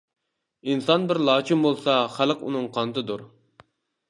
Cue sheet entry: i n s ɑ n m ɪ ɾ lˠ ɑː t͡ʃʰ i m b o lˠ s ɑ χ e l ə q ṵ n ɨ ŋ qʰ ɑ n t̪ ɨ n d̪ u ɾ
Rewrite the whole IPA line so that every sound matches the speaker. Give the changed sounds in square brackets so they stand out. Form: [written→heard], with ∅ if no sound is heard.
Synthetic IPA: i n s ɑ n [m→b] ɪ ɾ lˠ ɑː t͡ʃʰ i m b o lˠ s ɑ χ [e→æ] l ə q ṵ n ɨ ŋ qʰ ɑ n t̪ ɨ [n→∅] d̪ u ɾ